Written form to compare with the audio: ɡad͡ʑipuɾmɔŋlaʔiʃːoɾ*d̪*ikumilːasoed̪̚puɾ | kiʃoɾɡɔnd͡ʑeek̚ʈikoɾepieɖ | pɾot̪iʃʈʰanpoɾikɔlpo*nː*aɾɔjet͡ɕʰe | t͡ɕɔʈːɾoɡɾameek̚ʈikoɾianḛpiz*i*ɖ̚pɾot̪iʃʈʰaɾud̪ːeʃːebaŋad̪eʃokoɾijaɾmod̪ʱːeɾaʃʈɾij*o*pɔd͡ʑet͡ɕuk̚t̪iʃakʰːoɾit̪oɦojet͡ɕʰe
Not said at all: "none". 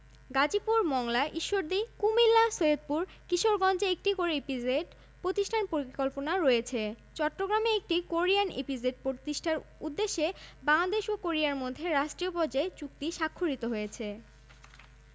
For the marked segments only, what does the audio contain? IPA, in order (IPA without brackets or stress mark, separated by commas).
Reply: d̪, n, e, o